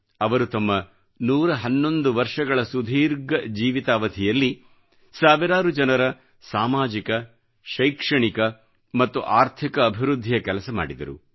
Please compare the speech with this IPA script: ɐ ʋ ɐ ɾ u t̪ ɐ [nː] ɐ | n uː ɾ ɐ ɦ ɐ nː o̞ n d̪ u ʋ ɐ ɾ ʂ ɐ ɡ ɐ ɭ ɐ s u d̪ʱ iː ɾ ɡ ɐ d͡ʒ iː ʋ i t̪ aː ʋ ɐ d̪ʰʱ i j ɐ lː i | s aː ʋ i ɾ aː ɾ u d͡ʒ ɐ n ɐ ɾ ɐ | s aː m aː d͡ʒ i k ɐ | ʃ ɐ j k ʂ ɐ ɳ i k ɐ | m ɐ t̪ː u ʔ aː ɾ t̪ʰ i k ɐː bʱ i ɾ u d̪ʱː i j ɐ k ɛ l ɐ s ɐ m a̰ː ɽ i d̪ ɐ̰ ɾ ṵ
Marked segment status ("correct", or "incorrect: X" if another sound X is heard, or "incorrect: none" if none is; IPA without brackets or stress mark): incorrect: mː